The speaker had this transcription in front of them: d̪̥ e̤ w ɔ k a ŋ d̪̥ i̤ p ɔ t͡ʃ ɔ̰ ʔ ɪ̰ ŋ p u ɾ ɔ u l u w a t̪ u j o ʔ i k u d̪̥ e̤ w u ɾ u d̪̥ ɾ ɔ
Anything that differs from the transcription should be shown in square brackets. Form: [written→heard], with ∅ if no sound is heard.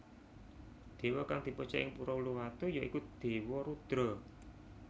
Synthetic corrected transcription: d̪̥ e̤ w ɔ k a ŋ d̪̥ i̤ p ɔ t͡ʃ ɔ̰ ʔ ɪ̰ ŋ p u ɾ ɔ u l u w a t̪ u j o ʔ i k u d̪̥ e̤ w [u→ɔ] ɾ u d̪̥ ɾ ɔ